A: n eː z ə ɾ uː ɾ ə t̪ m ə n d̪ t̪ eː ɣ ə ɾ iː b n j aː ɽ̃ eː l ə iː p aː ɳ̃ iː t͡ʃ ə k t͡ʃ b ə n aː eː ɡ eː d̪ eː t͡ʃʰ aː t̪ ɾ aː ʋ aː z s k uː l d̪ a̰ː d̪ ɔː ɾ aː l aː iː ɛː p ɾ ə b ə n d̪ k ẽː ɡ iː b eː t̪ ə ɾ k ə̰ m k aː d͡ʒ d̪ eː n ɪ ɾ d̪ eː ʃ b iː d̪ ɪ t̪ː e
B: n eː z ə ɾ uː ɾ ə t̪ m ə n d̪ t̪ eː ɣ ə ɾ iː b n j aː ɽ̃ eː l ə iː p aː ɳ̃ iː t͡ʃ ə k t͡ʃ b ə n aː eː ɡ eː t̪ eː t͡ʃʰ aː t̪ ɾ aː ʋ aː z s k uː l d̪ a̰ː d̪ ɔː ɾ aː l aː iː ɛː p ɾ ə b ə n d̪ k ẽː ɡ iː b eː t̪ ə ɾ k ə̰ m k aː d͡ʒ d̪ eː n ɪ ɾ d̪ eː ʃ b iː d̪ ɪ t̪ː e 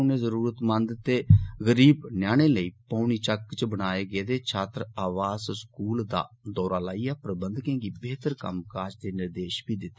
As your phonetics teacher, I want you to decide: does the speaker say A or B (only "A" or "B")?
A